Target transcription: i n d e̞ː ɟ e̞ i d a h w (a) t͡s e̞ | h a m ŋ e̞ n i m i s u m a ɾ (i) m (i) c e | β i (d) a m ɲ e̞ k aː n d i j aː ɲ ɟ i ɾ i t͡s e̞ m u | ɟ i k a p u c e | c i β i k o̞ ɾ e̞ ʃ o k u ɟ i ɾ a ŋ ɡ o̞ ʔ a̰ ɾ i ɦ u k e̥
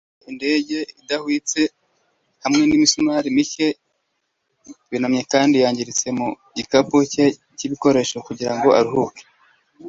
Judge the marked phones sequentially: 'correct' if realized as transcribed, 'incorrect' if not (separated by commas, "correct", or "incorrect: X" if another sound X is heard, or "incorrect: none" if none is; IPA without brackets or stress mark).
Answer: incorrect: i, correct, correct, incorrect: n